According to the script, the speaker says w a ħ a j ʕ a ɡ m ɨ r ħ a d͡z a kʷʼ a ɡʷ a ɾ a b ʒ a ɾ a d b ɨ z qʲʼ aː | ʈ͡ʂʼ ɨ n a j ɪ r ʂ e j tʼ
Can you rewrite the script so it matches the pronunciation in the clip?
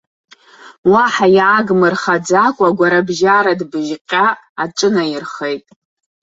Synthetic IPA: w a ħ a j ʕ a ɡ m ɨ r χ a d͡z a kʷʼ a ɡʷ a ɾ a b ʒ a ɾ a d b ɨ ʒ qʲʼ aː | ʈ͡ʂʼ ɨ n a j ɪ r χ e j tʼ